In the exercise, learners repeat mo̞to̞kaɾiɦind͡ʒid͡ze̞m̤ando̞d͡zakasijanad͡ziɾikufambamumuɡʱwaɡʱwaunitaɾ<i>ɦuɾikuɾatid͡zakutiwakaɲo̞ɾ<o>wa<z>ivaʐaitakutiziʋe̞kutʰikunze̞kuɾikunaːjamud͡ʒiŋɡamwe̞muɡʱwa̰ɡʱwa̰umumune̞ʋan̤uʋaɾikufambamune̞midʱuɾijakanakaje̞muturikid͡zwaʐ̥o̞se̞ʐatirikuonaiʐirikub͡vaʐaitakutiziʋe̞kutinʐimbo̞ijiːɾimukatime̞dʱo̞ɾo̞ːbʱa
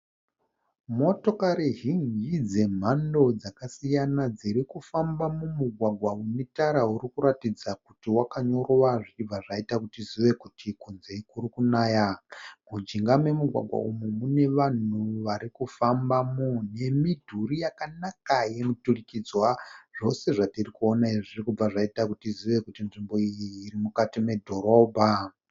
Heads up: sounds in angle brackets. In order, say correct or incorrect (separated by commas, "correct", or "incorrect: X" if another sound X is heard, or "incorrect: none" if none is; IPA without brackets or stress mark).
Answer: incorrect: a, correct, incorrect: ʐ